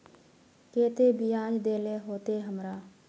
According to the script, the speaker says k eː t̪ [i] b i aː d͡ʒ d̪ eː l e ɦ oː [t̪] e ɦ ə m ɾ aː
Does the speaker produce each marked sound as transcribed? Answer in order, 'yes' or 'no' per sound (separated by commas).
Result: no, yes